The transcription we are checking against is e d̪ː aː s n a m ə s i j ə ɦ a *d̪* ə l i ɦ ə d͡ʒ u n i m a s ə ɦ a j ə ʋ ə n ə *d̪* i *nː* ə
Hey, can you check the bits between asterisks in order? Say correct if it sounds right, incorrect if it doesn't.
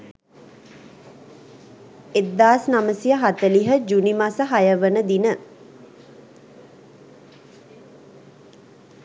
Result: incorrect: t̪, correct, incorrect: n

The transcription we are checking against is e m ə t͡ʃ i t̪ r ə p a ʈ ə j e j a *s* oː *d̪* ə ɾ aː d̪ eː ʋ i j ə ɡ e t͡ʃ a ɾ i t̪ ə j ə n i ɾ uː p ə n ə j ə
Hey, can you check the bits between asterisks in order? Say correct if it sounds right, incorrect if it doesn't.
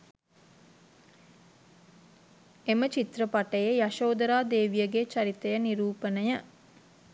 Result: incorrect: ʃ, correct

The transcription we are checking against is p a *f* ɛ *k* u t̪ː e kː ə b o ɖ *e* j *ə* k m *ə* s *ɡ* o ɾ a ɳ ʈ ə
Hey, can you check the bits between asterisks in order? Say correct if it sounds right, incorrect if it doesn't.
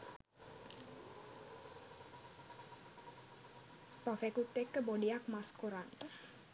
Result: correct, correct, incorrect: i, incorrect: a, incorrect: a, incorrect: k

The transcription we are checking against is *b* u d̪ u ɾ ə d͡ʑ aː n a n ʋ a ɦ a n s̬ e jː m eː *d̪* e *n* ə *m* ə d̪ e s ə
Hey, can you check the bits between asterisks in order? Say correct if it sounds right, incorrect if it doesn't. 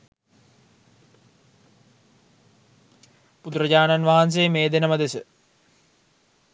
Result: incorrect: p, correct, correct, correct

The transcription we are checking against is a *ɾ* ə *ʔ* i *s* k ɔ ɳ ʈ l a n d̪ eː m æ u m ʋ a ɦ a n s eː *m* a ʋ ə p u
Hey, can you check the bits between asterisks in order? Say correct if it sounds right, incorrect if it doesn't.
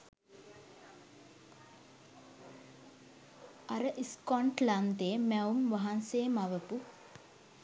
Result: correct, correct, correct, correct

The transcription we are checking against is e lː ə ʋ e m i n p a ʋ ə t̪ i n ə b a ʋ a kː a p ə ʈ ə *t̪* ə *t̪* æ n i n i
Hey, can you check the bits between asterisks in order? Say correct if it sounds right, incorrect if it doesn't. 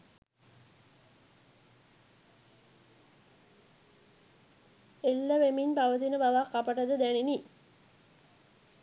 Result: incorrect: d̪, incorrect: d̪

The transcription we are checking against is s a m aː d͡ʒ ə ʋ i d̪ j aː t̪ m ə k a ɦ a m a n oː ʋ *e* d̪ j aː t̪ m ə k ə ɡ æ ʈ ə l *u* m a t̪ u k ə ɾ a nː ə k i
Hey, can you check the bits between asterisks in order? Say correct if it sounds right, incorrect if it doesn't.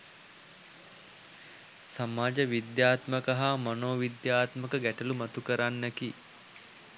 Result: incorrect: i, correct

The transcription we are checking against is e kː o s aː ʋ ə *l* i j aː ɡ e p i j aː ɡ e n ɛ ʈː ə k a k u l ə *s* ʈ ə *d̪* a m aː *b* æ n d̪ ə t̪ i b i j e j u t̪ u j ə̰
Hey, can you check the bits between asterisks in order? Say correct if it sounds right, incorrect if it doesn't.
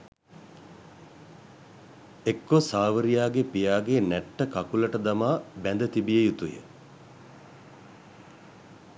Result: incorrect: ɾ, incorrect: none, correct, correct

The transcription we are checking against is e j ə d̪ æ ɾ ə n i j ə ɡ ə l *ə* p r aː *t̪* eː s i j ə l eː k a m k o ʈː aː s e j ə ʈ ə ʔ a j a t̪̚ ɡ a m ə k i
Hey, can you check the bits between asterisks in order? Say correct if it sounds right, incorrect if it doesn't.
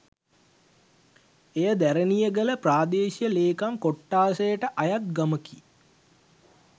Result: correct, incorrect: d̪

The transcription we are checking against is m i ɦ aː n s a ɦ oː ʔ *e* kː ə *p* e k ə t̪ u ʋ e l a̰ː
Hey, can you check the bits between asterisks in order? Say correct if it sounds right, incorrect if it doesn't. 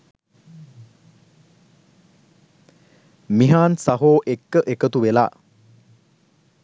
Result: correct, incorrect: ʔ

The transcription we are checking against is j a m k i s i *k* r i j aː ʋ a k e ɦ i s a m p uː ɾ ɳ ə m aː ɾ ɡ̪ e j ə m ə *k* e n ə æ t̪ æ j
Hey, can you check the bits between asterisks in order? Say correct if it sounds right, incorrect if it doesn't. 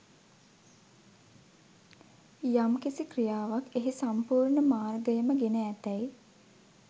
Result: correct, incorrect: ɡ

